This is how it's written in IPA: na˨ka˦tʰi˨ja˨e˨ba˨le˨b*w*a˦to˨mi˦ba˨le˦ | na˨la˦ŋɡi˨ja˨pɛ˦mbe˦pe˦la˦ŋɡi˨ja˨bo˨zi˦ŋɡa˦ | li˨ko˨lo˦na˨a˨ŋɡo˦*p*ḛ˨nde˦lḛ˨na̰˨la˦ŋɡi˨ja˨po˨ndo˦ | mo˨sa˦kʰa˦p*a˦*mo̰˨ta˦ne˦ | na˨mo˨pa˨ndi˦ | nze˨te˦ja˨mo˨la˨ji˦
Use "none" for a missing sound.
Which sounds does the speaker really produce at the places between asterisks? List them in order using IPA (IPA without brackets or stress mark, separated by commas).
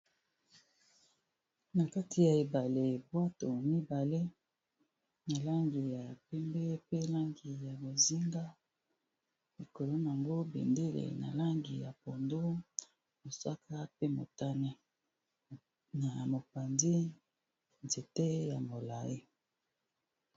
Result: w, b, e˦